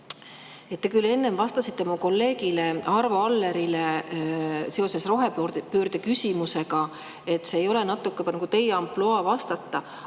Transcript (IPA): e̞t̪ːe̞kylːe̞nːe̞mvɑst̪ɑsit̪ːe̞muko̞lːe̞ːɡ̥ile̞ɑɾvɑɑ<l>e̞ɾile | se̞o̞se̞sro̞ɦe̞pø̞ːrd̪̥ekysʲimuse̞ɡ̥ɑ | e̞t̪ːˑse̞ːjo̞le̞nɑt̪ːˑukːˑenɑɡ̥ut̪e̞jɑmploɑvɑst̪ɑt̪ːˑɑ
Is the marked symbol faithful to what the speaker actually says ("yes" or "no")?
no